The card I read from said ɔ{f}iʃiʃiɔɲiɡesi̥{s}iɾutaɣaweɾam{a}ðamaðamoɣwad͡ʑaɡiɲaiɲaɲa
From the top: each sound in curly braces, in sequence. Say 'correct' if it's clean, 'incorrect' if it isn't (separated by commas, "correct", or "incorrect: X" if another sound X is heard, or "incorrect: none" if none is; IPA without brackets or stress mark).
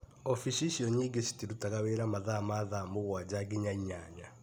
correct, incorrect: t, correct